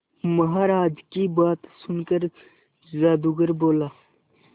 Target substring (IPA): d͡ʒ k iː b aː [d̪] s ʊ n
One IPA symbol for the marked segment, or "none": t̪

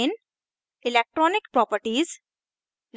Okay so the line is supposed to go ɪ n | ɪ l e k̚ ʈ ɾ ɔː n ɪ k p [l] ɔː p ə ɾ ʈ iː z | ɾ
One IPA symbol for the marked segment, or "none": ɾ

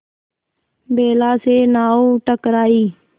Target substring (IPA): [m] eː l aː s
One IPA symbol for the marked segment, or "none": b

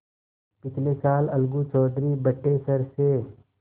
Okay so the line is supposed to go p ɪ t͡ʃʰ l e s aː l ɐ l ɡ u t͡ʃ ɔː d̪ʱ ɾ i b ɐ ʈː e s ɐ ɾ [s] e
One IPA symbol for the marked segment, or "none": s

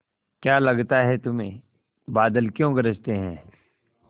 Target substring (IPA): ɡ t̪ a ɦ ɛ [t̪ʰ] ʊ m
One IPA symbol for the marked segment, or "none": t̪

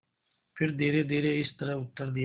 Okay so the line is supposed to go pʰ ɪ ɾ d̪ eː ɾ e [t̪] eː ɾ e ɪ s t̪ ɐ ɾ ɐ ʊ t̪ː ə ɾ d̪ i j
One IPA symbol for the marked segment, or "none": d̪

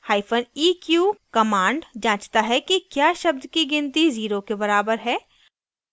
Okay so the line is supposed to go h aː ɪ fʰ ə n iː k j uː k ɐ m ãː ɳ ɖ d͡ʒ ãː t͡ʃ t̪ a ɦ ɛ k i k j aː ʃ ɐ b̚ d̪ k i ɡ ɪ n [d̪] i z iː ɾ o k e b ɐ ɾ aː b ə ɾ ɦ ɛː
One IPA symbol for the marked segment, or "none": t̪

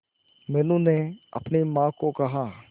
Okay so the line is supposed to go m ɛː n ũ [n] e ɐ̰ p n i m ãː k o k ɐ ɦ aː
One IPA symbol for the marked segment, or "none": n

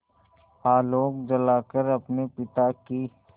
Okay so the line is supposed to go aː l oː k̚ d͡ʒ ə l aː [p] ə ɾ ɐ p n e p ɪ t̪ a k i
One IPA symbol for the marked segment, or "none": k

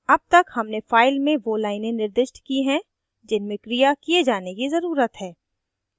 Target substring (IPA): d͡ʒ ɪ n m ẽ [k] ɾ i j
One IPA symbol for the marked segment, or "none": k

